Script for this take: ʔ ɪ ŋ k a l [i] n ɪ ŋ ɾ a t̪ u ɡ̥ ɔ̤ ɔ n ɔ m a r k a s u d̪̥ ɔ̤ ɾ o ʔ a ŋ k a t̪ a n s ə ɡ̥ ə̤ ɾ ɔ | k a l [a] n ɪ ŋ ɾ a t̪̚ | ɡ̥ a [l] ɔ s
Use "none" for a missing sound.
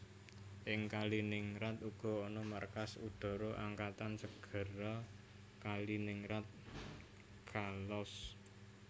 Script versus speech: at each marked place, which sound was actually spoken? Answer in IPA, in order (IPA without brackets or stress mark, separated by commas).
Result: i, i, l